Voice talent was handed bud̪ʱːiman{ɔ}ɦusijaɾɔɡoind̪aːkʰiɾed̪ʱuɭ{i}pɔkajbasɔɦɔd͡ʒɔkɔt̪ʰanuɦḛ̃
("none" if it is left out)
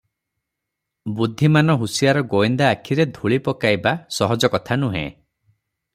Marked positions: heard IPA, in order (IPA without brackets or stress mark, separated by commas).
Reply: ɔ, i